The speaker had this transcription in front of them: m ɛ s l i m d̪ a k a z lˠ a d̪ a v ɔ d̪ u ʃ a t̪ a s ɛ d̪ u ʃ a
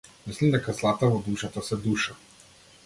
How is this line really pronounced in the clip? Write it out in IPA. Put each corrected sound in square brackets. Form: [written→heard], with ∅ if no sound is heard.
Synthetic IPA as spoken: m [ɛ→i] s l i m d̪ [a→ɛ] k a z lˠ a [d̪→t̪] a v ɔ d̪ u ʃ a t̪ a s ɛ d̪ u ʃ a